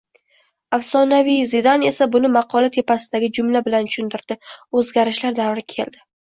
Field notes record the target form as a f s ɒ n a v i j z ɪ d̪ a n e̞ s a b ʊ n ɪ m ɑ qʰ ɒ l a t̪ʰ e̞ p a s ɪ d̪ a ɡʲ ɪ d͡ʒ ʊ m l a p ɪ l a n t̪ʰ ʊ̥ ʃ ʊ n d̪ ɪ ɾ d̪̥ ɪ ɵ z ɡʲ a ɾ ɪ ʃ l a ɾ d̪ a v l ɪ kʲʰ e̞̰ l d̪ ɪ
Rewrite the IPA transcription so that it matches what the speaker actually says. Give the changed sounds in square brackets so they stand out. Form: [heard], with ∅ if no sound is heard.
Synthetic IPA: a f s ɒ n a v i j z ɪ d̪ a n e̞ s a b ʊ n ɪ m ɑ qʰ ɒ l a t̪ʰ e̞ p a s ɪ d̪ a ɡʲ ɪ d͡ʒ ʊ m l a [b] ɪ l a n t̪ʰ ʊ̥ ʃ ʊ n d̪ ɪ ɾ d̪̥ ɪ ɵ z ɡʲ a ɾ ɪ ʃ l a ɾ d̪ a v [ɾ] ɪ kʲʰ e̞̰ l d̪ ɪ

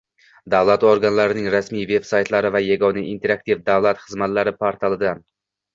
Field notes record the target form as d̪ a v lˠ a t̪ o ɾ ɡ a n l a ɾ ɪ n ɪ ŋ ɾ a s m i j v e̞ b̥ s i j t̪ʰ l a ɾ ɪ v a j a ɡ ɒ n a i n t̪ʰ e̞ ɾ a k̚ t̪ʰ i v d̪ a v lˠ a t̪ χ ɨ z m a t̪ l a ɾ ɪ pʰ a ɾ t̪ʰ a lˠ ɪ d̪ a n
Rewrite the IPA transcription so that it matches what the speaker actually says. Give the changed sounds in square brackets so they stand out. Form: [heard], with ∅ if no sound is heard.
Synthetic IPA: d̪ a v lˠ a t̪ o ɾ ɡ a n l a ɾ ɪ n ɪ ŋ ɾ a s m i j v e̞ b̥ s [a] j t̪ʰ l a ɾ ɪ v a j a ɡ ɒ n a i n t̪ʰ e̞ ɾ a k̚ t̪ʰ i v d̪ a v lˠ a t̪ χ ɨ z m a t̪ l a ɾ ɪ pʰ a ɾ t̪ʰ a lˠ ɪ d̪ a n

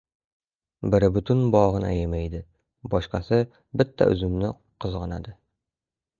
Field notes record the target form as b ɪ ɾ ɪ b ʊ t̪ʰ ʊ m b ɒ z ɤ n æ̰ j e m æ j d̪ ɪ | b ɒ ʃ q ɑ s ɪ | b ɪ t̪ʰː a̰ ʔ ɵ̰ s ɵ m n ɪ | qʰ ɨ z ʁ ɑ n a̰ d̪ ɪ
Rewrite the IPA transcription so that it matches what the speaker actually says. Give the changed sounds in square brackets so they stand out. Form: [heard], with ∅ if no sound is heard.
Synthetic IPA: b ɪ ɾ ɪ b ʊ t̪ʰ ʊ [n] b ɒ [ʁ] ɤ n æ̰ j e m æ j d̪ ɪ | b ɒ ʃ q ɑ s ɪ | b ɪ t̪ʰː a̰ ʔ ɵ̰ [z] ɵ m n ɪ | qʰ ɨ z ʁ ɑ n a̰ d̪ ɪ

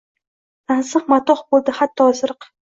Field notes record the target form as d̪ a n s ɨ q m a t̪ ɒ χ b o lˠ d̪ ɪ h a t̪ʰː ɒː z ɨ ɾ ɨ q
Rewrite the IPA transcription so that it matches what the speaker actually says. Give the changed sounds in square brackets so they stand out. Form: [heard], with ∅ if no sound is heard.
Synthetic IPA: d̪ a n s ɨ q m a t̪ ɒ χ b o lˠ d̪ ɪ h a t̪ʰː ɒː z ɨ ɾ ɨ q

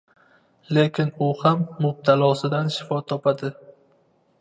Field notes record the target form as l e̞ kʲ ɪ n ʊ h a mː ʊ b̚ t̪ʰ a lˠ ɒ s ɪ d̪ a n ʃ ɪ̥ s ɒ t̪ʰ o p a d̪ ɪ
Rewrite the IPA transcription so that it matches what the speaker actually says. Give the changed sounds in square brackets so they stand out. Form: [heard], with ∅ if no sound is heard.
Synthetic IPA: l e̞ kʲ ɪ n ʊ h a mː ʊ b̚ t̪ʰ a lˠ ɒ s ɪ d̪ a n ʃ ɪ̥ [f] ɒ t̪ʰ [ɒ] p a d̪ ɪ

